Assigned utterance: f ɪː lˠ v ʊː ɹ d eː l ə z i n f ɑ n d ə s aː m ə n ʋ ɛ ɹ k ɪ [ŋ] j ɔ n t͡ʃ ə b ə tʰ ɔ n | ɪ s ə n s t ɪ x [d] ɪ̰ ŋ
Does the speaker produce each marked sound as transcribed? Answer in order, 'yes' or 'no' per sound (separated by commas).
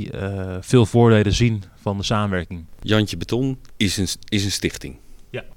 yes, no